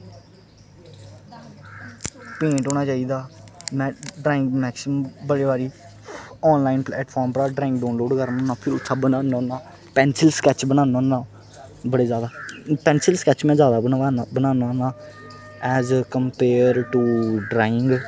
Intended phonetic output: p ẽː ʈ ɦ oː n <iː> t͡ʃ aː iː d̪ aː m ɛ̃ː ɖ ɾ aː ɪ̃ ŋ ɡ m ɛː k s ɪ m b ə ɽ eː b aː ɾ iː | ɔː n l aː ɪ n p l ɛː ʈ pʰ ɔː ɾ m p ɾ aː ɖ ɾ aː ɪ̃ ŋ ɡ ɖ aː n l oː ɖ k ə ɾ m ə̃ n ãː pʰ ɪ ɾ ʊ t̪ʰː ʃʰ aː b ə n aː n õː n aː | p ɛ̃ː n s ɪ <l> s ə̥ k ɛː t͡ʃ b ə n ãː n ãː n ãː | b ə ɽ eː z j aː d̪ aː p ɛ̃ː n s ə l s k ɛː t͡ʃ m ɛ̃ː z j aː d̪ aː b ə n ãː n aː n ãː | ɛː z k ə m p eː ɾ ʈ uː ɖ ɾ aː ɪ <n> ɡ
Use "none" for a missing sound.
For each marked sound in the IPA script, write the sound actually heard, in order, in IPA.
aː, l, ŋ

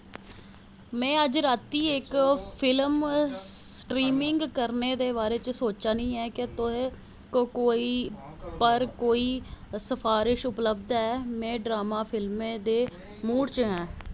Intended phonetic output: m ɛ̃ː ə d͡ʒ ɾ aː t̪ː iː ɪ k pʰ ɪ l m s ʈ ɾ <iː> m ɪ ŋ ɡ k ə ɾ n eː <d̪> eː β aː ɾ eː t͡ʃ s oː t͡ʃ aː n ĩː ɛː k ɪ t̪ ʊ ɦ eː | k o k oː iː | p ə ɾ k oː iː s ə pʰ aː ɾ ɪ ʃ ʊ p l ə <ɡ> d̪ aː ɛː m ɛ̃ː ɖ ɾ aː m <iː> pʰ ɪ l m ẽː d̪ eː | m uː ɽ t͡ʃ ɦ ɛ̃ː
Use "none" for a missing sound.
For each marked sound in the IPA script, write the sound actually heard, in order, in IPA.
iː, d̪, b, aː

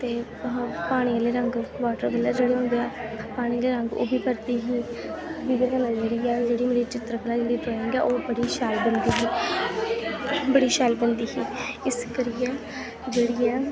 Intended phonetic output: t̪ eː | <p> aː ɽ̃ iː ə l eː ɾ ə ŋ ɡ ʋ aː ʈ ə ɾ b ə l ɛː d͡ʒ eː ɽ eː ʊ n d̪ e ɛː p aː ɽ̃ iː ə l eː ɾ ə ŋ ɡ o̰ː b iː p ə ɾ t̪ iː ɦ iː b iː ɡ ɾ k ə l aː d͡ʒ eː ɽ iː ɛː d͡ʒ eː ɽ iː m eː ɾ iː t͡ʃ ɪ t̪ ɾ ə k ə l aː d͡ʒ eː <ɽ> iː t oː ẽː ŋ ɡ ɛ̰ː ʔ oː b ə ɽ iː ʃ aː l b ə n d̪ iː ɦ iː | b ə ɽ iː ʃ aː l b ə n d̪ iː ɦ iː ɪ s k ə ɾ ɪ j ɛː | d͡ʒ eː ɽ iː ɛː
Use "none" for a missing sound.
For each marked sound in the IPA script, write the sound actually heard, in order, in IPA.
p, ɽ

